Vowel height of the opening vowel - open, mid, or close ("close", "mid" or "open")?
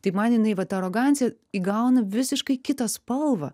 open